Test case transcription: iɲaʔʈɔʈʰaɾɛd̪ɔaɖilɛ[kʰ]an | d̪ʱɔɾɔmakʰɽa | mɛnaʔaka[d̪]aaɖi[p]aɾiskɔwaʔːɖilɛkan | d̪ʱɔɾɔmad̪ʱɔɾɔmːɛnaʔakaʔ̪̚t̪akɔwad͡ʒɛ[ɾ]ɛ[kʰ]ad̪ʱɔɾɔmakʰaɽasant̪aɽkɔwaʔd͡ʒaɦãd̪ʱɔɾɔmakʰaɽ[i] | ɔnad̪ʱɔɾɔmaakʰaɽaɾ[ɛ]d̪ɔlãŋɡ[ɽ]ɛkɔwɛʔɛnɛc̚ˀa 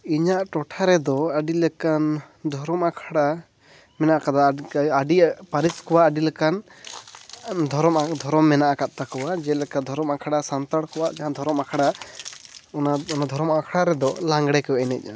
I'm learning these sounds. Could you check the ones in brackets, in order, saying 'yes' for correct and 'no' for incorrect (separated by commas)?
no, yes, yes, no, no, no, yes, yes